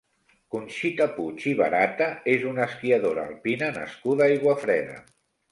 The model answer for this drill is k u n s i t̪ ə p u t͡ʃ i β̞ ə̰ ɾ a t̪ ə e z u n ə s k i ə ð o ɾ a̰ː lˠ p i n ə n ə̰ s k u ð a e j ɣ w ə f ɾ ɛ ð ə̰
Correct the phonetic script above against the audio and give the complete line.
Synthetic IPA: k u n ʃ i t̪ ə p u t͡ʃ i β̞ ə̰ ɾ a t̪ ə e z u n ə s k i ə ð o ɾ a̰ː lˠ p i n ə n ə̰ s k u ð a a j ɣ w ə f ɾ ɛ ð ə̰